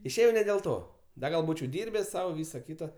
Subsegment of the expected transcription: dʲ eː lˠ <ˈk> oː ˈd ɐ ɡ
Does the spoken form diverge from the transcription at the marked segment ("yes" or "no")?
yes